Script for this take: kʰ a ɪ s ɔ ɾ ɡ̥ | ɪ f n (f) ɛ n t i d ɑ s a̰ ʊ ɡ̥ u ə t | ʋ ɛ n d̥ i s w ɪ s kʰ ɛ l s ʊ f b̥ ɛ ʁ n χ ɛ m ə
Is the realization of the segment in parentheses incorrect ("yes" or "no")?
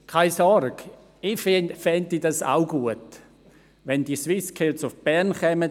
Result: no